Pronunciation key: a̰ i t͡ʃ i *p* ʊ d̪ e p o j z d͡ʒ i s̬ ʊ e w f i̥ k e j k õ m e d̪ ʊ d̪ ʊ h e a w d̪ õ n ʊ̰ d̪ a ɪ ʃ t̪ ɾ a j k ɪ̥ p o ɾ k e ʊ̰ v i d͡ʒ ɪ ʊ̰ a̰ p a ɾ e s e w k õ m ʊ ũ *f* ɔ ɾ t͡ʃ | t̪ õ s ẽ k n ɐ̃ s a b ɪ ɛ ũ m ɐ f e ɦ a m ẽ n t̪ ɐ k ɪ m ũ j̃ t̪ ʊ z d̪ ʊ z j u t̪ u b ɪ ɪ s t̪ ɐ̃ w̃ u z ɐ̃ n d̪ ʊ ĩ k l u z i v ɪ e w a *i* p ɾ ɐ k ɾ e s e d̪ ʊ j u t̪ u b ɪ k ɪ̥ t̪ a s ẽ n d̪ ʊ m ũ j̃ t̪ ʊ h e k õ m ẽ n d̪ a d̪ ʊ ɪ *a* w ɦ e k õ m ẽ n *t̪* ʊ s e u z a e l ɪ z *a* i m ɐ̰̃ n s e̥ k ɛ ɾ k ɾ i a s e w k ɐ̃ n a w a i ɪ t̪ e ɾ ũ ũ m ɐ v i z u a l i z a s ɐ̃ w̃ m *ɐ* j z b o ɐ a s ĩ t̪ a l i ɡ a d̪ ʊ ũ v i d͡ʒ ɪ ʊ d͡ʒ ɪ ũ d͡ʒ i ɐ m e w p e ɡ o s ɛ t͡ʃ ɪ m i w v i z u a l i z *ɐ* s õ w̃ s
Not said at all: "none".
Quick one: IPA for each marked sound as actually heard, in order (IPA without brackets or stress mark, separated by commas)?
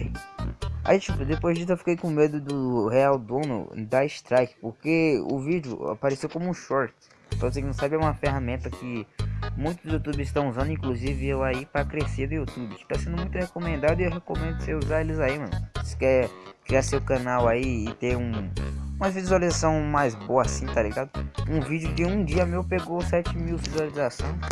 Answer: p, ʃ, i, e, d̪, a, a, a